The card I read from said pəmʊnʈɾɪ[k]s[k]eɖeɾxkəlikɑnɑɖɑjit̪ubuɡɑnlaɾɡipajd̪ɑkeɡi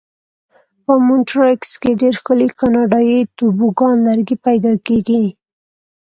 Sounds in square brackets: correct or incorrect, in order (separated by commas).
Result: correct, correct